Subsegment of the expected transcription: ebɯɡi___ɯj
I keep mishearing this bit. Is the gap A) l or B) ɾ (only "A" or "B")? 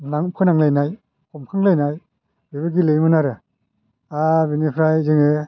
A